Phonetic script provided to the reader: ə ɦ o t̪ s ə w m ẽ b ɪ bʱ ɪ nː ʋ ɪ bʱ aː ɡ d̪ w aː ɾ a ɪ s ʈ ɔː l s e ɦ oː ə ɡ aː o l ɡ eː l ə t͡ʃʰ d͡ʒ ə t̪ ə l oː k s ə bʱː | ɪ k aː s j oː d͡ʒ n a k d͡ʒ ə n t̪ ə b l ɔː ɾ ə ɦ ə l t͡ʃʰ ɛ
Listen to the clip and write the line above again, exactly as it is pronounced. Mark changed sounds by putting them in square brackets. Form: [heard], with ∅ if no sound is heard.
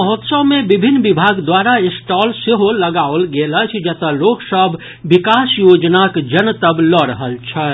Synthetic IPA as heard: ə ɦ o t̪ s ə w m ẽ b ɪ bʱ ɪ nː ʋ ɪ bʱ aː ɡ d̪ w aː ɾ a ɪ s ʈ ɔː l s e ɦ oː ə ɡ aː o l ɡ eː l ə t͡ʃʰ d͡ʒ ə t̪ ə l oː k s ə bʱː | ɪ k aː s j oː d͡ʒ n a k d͡ʒ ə n t̪ ə b l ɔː ɾ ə ɦ ə l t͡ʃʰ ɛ